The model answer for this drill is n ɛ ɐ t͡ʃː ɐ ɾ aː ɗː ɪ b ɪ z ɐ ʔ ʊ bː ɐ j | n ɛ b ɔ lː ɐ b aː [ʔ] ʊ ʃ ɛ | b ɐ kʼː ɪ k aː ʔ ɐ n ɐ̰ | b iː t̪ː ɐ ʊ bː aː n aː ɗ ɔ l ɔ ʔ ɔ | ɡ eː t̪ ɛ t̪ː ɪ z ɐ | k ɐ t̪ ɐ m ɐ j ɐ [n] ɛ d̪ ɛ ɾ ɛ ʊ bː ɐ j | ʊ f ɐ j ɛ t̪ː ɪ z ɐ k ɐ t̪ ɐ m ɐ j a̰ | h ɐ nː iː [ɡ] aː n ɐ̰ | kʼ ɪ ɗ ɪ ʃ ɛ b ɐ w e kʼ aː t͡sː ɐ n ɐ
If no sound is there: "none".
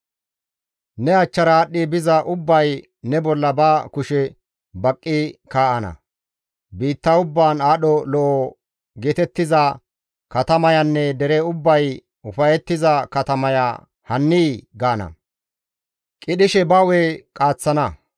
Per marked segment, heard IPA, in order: k, nː, ɡ

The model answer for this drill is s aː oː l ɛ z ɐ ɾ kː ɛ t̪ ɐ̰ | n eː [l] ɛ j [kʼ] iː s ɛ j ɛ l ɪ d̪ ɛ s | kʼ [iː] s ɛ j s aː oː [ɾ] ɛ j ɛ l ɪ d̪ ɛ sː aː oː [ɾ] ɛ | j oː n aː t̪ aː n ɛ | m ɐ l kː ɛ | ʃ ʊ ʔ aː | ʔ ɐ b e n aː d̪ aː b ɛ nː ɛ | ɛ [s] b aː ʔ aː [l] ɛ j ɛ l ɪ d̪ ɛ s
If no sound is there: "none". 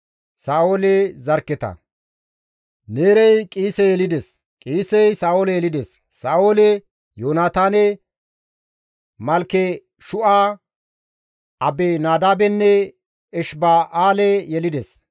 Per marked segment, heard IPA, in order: ɾ, kʼ, iː, l, l, ʃ, l

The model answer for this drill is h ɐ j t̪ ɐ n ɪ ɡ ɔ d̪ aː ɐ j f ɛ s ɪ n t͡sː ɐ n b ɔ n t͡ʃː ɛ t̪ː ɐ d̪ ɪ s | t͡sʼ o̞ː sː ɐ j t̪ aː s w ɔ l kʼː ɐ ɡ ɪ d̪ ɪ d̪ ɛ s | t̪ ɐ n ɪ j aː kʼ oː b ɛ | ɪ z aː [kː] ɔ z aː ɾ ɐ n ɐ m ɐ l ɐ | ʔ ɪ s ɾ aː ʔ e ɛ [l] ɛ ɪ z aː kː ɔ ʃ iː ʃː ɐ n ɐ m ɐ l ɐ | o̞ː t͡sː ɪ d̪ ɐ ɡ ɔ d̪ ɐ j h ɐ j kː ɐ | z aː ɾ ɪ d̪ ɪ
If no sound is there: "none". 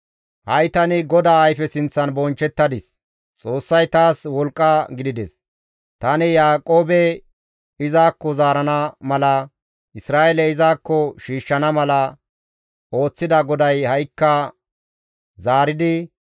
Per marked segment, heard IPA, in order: kː, l

